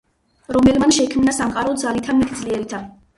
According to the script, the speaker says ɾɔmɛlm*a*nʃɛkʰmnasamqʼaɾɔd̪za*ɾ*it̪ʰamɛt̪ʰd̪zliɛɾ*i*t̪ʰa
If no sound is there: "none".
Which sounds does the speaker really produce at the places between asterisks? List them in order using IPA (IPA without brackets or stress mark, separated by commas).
a, l, i